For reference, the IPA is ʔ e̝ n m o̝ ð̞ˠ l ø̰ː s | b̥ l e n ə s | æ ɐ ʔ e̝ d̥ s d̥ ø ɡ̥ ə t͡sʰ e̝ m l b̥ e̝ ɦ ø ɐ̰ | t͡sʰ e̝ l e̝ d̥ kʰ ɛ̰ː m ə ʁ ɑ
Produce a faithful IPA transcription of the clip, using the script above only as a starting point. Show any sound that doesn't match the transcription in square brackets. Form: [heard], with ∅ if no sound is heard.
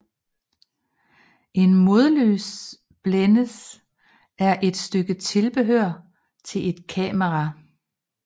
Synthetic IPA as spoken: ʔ e̝ n m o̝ ð̞ˠ l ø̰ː s | b̥ l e n ə s | æ ɐ ʔ e̝ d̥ s d̥ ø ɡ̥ ə t͡sʰ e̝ [∅] l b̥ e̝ ɦ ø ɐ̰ | t͡sʰ e̝ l e̝ d̥ kʰ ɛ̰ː m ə ʁ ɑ